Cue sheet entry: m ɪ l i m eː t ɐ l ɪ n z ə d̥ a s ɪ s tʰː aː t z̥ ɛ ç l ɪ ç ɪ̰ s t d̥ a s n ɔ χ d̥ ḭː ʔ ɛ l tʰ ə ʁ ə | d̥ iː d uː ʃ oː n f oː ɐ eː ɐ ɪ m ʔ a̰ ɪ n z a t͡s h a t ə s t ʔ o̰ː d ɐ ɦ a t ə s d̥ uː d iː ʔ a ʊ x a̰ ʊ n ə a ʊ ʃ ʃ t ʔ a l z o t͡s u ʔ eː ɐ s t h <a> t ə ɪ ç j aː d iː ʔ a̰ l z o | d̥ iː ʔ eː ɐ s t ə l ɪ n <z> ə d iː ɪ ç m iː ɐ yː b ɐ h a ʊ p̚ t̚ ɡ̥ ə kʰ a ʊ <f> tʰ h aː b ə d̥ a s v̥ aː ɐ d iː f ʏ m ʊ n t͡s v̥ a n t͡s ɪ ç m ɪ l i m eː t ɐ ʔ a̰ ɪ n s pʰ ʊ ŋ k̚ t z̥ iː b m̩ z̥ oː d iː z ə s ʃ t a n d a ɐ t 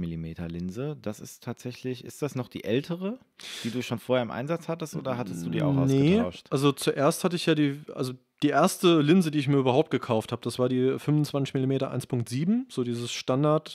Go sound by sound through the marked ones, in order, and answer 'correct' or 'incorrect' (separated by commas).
correct, correct, correct